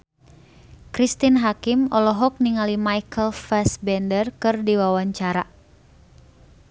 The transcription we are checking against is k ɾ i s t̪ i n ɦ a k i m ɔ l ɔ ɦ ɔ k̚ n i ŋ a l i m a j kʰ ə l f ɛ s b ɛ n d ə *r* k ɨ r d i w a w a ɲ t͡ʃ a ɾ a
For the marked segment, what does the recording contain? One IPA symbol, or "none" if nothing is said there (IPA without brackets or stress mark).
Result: r